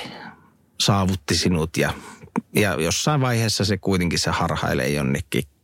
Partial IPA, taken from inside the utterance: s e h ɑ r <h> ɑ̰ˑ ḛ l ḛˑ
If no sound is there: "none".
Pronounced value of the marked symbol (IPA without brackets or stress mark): h